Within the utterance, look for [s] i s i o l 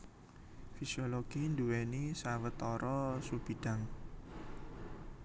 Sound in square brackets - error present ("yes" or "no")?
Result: yes